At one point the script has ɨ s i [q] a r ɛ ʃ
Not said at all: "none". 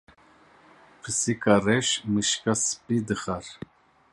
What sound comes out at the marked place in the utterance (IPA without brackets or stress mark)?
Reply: k